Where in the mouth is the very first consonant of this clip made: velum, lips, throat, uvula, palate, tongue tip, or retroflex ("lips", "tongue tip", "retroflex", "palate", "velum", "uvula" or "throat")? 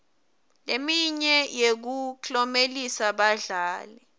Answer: tongue tip